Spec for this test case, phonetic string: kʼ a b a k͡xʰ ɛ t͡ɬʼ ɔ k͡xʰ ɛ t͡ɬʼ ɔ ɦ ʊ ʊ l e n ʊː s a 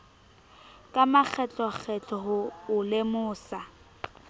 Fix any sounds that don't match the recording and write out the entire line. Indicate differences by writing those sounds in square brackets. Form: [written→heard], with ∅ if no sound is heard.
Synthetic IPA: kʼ a [b→m] a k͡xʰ ɛ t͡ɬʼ ɔ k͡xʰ ɛ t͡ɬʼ ɔ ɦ ʊ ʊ l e [n→m] ʊː s a